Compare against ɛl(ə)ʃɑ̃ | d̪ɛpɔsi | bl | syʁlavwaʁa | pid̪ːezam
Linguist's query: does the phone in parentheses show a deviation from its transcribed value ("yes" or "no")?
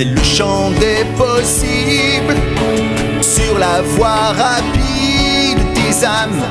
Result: no